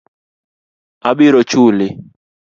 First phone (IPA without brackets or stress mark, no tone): a